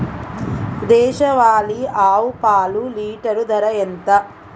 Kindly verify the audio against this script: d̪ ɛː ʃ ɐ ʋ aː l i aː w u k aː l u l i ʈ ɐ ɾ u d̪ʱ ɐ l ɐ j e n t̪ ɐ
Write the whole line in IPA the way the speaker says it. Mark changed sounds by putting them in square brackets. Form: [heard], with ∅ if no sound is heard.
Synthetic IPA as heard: d̪ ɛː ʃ ɐ ʋ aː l i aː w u [p] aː l u l [iː] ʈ ɐ ɾ u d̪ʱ ɐ [ɾ] ɐ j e n t̪ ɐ